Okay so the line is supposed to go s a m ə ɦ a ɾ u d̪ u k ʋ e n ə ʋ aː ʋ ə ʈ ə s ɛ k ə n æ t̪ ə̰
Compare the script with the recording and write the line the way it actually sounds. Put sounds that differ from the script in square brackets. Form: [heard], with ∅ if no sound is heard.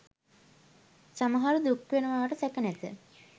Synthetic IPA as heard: s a m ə ɦ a ɾ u d̪ u k ʋ e n ə ʋ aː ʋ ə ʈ ə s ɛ k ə n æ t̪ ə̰